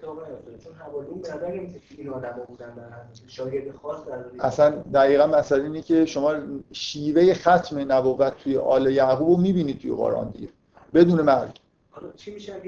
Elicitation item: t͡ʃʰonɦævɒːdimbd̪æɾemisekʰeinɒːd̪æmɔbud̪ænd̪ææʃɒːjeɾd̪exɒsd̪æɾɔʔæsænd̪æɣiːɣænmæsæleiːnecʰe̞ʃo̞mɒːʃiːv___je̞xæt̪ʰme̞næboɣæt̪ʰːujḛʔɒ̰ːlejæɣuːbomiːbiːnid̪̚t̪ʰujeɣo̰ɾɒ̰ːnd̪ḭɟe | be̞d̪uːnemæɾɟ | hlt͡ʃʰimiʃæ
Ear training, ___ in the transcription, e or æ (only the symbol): e